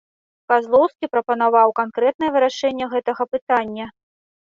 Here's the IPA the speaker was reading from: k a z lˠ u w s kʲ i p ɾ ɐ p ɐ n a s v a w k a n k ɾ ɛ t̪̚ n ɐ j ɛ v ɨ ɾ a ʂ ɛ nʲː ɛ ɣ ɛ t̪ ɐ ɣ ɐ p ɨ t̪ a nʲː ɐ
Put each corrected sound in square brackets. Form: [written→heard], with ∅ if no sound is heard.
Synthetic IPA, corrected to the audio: k a z lˠ [u→ɔ] w s kʲ i p ɾ ɐ p ɐ n a [s→∅] v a w k a n k ɾ ɛ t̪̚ n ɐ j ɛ v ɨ ɾ a ʂ ɛ nʲː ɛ ɣ ɛ t̪ ɐ ɣ ɐ p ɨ t̪ a nʲː ɐ